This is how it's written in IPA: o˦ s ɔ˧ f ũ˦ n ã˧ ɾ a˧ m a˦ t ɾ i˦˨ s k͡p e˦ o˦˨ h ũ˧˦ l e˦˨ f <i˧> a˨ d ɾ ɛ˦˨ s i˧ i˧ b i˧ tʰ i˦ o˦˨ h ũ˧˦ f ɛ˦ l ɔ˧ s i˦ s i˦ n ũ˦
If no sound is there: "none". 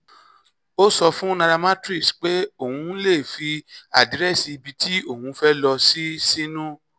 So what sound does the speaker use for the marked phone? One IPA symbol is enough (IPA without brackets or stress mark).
i˧